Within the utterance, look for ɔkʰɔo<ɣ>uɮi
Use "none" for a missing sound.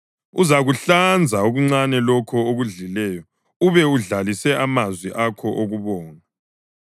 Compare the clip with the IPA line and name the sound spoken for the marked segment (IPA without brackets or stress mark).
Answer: ɣ